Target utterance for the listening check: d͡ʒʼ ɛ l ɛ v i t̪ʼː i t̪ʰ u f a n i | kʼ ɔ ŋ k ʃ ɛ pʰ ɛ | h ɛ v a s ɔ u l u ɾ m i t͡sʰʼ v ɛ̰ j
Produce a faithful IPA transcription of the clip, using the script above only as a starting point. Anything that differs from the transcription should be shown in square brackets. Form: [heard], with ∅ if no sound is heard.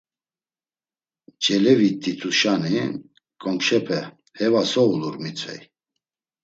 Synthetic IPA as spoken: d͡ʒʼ ɛ l ɛ v i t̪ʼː i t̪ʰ u [ʃ] a n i | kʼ ɔ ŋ k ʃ ɛ pʰ ɛ | h ɛ v a s ɔ u l u ɾ m i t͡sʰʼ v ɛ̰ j